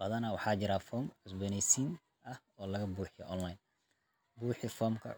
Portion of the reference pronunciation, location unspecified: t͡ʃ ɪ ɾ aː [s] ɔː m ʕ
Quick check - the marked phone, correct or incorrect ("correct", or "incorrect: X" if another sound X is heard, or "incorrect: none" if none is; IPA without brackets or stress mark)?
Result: incorrect: f